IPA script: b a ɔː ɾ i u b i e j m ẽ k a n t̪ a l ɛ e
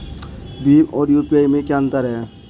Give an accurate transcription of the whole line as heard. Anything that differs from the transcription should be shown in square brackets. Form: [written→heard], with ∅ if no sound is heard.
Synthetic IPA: b [a→i] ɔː ɾ [i→j] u [b→p] i [e→a] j m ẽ k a n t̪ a [l→ɾ] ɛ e